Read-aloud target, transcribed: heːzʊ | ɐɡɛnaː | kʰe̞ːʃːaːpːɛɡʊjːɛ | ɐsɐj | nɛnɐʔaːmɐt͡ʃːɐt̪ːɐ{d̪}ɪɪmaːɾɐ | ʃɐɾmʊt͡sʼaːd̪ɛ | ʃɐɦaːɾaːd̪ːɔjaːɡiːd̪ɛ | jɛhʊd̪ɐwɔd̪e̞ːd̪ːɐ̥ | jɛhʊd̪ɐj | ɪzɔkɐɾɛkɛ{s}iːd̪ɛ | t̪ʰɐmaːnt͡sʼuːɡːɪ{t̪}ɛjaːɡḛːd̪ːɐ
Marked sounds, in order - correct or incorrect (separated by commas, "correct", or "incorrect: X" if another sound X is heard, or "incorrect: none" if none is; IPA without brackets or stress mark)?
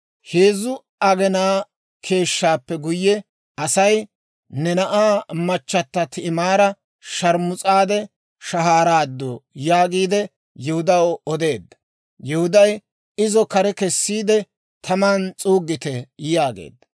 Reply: incorrect: t̪, incorrect: sː, correct